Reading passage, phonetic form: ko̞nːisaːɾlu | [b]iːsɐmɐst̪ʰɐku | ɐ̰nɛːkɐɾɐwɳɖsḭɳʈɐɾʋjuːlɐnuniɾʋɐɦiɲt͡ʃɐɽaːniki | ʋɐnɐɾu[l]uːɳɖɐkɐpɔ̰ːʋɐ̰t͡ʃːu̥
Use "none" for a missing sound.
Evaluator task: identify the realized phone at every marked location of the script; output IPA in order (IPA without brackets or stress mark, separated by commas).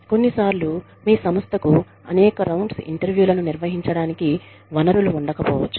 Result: m, l